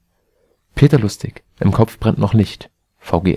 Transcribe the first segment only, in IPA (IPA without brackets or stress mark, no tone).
pʰ